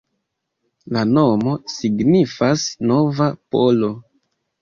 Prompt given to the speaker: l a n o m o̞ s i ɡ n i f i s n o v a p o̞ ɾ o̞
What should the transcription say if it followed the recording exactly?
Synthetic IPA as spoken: l a n o m o̞ s i ɡ n i f a s n o v a p o̞ l o̞